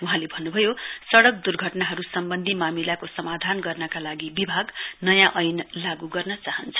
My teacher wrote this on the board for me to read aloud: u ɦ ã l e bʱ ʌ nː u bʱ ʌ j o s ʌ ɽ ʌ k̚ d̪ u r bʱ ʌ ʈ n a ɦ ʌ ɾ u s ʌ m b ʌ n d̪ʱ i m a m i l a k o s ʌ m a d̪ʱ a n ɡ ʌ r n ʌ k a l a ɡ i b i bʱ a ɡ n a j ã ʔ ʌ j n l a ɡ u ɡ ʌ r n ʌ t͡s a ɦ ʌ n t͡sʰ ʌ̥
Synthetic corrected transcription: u ɦ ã l e bʱ ʌ nː u bʱ ʌ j o s ʌ ɽ ʌ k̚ d̪ u r ɡʱ ʌ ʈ n a ɦ ʌ ɾ u s ʌ m b ʌ n d̪ʱ i m a m i l a k o s ʌ m a d̪ʱ a n ɡ ʌ r n ʌ k a l a ɡ i b i bʱ a ɡ n ʌ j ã ʔ ʌ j n l a ɡ u ɡ ʌ r n ʌ t͡s a ɦ ʌ n t͡sʰ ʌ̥